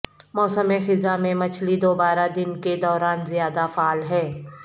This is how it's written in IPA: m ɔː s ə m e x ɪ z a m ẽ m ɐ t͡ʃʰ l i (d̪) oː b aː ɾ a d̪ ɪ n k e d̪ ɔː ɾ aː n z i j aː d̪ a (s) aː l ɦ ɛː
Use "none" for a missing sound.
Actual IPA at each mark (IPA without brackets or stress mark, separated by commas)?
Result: d̪, f